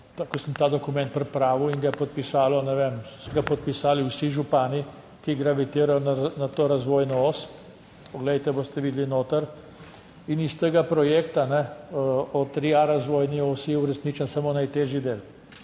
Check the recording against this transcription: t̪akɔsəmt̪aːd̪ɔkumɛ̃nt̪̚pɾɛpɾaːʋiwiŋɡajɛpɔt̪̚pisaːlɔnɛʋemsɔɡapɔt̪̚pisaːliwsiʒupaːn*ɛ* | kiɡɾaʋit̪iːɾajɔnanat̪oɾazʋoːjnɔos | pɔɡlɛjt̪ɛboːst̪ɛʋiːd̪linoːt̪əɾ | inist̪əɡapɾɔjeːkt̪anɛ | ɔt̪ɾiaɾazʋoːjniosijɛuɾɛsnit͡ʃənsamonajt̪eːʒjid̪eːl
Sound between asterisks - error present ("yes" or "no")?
yes